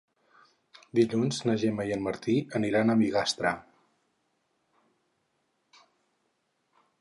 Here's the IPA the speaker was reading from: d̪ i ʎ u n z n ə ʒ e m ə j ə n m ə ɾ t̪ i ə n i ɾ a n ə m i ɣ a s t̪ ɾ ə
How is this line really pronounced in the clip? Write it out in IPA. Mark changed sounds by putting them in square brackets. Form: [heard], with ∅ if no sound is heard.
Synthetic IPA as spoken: d̪ i ʎ u n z n ə ʒ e m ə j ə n m ə ɾ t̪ i ə n i ɾ a n ə m i ɣ a s t̪ ɾ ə